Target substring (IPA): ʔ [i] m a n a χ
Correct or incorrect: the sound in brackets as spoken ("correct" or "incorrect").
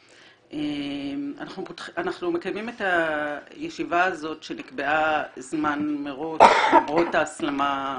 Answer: incorrect